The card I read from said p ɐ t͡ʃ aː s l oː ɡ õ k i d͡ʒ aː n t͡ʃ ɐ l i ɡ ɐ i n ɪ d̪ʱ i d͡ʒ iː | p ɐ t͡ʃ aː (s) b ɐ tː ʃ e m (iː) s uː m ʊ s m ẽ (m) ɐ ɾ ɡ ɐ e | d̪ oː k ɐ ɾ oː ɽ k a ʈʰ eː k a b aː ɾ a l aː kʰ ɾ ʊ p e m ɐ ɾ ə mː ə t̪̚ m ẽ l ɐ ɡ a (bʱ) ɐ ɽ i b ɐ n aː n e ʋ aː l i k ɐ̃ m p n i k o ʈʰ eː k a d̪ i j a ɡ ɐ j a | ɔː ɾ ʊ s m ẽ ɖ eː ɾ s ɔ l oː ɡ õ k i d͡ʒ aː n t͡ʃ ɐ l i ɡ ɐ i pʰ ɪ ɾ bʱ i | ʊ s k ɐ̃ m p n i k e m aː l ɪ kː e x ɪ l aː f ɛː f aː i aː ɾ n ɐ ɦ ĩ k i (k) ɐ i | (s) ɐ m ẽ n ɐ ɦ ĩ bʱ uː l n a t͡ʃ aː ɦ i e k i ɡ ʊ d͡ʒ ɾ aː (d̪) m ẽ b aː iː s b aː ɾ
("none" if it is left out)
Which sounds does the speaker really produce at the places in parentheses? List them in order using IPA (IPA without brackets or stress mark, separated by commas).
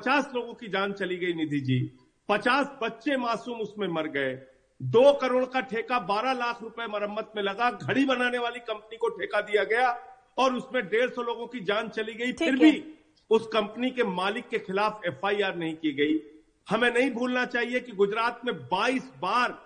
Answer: s, aː, m, ɡʱ, ɡ, h, t̪